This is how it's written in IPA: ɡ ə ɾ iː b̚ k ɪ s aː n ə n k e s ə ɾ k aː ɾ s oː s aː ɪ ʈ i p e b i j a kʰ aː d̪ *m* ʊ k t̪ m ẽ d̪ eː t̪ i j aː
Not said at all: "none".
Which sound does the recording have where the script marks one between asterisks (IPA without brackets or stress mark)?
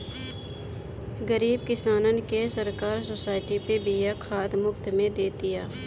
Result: m